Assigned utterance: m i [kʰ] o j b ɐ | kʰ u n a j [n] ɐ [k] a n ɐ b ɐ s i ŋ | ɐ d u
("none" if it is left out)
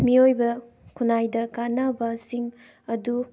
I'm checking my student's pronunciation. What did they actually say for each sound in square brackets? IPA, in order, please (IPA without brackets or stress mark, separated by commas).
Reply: none, d, k